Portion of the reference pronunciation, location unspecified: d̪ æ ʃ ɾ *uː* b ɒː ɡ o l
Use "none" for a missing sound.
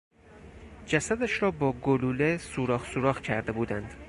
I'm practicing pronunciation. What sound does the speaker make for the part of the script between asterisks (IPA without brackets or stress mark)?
ɒː